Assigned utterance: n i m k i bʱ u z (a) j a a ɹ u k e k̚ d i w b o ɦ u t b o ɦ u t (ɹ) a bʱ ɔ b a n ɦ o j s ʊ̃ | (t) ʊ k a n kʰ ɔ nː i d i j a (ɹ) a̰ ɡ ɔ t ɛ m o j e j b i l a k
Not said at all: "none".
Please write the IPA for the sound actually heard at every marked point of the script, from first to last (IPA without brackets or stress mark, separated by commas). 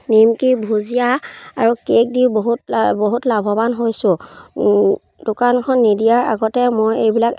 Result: i, l, d, ɹ